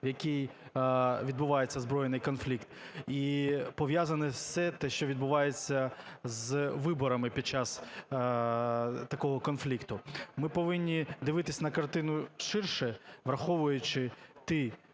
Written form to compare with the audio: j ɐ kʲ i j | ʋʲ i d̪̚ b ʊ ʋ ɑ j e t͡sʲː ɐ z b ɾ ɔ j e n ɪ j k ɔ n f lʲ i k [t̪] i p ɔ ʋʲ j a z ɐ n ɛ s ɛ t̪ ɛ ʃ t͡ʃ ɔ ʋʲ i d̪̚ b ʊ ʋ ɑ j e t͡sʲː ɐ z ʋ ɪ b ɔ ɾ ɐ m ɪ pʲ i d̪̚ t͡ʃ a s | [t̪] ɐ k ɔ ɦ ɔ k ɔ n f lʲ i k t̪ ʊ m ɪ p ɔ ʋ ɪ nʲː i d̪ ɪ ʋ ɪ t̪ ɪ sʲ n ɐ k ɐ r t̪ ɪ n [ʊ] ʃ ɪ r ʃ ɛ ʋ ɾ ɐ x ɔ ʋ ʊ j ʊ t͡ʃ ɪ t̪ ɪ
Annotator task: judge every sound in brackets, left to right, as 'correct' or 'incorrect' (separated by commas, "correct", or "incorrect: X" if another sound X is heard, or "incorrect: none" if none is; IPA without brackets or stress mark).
correct, correct, correct